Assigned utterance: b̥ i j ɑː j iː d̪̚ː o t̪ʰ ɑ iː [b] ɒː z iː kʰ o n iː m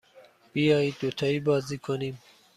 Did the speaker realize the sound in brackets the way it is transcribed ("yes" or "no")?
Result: yes